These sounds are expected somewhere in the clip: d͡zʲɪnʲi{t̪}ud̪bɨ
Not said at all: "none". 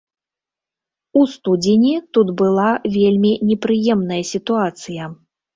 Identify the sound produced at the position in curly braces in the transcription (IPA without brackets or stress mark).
t̪